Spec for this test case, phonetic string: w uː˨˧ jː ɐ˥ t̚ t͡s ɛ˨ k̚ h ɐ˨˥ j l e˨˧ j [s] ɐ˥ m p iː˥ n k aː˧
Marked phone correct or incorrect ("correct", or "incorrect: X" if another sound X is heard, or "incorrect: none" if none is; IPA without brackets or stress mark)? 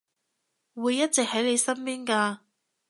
correct